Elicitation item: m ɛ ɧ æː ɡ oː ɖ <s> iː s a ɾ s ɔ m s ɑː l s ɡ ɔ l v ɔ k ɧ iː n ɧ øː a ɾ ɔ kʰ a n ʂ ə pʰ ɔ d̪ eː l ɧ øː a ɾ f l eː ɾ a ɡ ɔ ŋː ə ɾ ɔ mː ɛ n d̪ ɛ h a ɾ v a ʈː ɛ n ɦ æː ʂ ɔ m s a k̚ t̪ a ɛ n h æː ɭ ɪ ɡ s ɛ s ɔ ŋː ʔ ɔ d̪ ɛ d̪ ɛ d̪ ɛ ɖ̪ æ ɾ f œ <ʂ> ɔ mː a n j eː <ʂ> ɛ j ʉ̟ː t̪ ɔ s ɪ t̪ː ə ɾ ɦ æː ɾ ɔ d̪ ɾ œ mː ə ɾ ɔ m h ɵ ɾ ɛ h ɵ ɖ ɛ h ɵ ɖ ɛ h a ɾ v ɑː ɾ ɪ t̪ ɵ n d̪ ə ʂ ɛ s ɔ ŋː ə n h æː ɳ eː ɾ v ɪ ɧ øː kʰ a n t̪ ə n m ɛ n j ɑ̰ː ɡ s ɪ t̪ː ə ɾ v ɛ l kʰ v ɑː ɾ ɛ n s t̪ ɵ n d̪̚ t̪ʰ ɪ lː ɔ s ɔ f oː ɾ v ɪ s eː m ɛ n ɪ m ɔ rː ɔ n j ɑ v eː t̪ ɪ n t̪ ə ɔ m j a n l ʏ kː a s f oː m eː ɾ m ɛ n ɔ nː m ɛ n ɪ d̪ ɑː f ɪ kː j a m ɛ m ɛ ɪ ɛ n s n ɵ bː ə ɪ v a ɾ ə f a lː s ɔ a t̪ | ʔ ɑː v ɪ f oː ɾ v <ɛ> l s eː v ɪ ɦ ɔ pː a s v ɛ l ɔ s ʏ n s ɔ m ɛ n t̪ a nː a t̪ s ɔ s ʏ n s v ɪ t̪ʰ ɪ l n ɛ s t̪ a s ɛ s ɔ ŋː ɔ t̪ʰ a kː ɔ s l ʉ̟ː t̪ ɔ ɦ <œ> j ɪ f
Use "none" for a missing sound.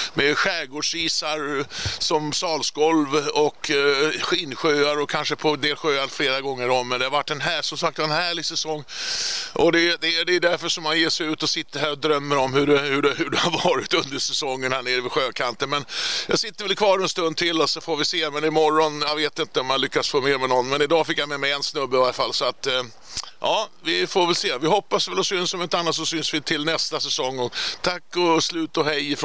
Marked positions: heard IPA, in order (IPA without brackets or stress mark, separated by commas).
ʂ, ʂ, ʂ, ɛ, ɛ